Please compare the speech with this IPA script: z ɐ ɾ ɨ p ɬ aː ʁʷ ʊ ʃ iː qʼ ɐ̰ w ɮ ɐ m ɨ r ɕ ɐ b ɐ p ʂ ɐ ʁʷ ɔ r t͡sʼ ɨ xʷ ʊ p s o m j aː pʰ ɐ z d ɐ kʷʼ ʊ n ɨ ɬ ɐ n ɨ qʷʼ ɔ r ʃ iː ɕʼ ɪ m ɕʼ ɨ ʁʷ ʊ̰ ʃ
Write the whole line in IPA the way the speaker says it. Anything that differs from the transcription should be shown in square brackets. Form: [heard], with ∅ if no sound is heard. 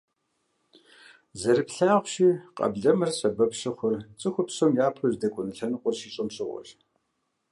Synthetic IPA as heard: z ɐ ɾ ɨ p ɬ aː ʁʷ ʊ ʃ iː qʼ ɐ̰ [b] ɮ ɐ m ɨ r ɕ ɐ b ɐ p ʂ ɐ [χʷ] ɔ r t͡sʼ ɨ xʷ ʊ p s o m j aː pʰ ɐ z d ɐ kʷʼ ʊ n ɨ ɬ ɐ n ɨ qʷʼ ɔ r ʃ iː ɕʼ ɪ m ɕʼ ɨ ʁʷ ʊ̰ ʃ